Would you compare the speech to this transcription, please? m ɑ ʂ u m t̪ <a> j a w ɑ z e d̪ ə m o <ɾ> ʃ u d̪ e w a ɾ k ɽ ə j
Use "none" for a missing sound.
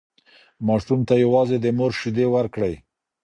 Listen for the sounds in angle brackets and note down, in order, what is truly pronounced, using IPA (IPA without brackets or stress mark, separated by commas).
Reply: a, ɾ